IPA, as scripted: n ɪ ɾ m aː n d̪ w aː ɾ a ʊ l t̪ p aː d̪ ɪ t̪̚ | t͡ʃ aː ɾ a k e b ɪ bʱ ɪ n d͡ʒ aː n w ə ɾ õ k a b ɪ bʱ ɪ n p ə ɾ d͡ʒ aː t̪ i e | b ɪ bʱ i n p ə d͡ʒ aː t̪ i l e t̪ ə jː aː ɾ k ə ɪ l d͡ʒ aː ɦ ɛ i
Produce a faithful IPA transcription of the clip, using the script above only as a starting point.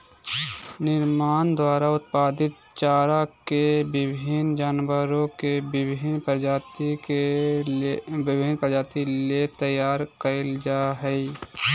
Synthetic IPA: n ɪ ɾ m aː n d̪ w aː ɾ a ʊ t̪ p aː d̪ ɪ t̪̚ | t͡ʃ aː ɾ a k e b ɪ bʱ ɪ n d͡ʒ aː n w ə ɾ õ k e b ɪ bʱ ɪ n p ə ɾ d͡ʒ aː t̪ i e | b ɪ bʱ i n p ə d͡ʒ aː t̪ i l e t̪ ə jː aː ɾ k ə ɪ l d͡ʒ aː ɦ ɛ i